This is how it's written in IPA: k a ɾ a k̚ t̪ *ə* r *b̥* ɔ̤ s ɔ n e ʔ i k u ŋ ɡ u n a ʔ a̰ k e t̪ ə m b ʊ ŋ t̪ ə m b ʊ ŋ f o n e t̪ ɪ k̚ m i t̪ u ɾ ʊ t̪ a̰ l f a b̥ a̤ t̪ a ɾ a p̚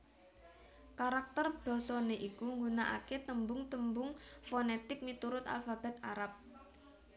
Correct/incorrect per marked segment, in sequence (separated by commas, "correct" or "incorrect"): correct, correct